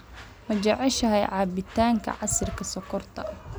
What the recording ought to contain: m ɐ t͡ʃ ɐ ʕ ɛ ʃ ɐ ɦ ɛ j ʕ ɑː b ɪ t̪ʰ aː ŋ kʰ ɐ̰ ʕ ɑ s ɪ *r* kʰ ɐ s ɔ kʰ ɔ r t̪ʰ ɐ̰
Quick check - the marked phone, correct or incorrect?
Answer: correct